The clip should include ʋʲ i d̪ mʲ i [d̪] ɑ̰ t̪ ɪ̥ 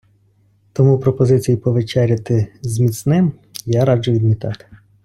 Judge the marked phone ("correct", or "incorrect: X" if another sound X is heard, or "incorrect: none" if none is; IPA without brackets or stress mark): incorrect: t̪